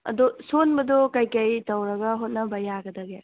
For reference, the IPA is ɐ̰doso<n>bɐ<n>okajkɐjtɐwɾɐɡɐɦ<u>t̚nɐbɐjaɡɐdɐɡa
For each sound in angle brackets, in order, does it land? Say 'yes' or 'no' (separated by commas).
yes, no, no